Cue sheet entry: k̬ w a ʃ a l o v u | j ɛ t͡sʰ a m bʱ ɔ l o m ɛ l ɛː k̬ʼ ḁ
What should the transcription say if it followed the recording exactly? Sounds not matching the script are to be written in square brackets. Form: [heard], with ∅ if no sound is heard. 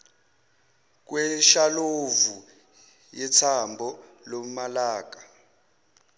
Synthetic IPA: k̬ w [ɛ] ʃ a l o v u | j ɛ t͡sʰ a m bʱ ɔ l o m [a] l [aː] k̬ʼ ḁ

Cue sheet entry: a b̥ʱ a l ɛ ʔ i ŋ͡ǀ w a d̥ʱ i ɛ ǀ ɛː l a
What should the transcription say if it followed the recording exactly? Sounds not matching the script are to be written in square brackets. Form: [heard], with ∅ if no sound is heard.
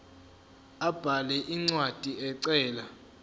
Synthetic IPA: a b̥ʱ a l ɛ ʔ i ŋ͡ǀ w a d̥ʱ i ɛ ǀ ɛː l a

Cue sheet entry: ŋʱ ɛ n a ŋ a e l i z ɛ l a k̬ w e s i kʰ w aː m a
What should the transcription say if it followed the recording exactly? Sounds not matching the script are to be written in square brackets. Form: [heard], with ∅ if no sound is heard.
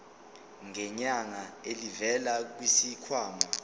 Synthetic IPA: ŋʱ ɛ [ɲ] a ŋ a e l i [v] ɛ l a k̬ w [i] s i kʰ w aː m a

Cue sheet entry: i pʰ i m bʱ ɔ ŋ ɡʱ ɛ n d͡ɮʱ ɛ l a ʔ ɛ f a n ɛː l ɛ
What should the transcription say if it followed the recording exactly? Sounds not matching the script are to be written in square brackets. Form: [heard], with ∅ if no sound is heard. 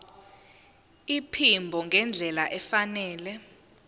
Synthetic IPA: i pʰ i m bʱ ɔ ŋ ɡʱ ɛ n d͡ɮʱ ɛ l a ʔ ɛ f a n ɛː l ɛ

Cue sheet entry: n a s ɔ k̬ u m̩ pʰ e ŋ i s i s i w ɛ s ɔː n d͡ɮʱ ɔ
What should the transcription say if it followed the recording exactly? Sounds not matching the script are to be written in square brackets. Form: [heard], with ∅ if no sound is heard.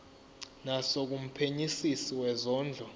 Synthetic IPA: n a s [o] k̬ u m̩ pʰ e [ɲ] i s i s i w ɛ [z] ɔː n d͡ɮʱ ɔ

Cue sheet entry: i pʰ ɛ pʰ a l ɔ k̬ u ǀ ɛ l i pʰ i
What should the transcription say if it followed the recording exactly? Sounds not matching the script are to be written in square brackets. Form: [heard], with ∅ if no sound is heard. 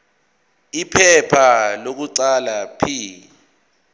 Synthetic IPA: i pʰ ɛ pʰ a l [o] k̬ u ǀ [a] l [a] pʰ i

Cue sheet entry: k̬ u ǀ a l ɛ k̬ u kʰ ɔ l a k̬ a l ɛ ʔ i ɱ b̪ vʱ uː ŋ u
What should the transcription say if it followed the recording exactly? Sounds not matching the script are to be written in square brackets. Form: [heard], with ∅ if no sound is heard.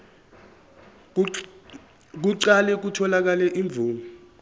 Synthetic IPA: k̬ u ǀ a l ɛ k̬ u [tʰ] ɔ l a k̬ a l ɛ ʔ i ɱ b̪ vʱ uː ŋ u

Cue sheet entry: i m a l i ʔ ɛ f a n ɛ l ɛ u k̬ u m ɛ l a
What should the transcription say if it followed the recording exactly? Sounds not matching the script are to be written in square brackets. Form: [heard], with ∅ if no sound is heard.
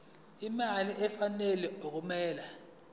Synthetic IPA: i m a l i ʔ ɛ f a n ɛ l ɛ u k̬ u m [ɛː] l a

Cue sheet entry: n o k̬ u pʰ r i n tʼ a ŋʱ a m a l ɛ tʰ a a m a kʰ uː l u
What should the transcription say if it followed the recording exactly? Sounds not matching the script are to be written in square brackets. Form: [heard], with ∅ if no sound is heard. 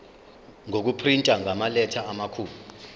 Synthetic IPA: [ŋ] o k̬ u pʰ r i n tʼ a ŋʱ a m a l ɛ tʰ a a m a kʰ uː l u

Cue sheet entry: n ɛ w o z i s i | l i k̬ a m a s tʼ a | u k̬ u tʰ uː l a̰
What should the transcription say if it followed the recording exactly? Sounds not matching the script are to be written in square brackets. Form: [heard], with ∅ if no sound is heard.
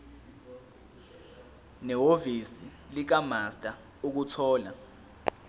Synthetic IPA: n ɛ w o [v] i s i | l i k̬ a m a s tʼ a | u k̬ u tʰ [ɔː] l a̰

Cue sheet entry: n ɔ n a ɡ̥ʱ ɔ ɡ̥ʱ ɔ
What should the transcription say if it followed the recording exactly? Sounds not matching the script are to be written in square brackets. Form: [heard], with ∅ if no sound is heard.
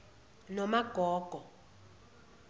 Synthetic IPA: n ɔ [m] a ɡ̥ʱ [ɔː] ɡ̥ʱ ɔ

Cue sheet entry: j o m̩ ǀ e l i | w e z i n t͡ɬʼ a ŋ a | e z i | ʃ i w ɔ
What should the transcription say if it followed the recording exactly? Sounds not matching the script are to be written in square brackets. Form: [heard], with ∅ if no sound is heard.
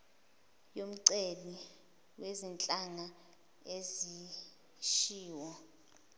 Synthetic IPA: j o m̩ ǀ e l i | w e z i n t͡ɬʼ a ŋ a | e z i | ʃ [iː] w ɔ

